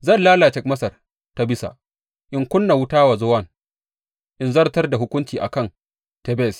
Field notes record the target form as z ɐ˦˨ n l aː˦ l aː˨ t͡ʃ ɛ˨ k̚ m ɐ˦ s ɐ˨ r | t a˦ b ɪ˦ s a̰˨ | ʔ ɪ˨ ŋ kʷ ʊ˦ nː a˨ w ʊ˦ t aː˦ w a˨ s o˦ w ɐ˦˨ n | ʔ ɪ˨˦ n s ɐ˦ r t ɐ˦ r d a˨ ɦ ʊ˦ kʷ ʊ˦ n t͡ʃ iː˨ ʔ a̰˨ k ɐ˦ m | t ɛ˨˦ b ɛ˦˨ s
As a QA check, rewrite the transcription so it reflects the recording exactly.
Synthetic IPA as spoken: z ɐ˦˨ n l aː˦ l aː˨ t͡ʃ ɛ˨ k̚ m ɐ˦ s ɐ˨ r | t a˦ b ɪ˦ s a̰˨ | ʔ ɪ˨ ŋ kʷ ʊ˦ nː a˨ w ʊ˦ t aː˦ w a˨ z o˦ w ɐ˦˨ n | ʔ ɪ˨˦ n z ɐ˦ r t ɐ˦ r d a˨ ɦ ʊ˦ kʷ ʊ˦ n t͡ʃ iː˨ ʔ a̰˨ k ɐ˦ n | t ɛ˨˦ b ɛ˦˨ s